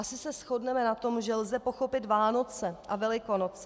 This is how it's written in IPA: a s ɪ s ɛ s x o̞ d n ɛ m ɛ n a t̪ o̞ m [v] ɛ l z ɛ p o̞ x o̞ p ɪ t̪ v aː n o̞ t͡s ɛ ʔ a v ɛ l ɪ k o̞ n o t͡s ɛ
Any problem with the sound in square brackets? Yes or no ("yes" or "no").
yes